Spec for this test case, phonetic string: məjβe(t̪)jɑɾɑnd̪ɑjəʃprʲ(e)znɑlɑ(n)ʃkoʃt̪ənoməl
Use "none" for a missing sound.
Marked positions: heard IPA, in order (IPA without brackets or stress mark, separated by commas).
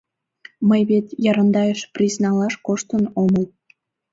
t̪, i, none